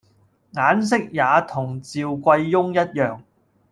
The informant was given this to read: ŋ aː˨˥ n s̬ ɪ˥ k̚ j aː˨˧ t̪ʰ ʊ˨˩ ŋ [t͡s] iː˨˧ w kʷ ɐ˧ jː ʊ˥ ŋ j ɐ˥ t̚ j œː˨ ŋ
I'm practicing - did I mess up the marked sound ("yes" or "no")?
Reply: no